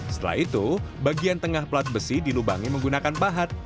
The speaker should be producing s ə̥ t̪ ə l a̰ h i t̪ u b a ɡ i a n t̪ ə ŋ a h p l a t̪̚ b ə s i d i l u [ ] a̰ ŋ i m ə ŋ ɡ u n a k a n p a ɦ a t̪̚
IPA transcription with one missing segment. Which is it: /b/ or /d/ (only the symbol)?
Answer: b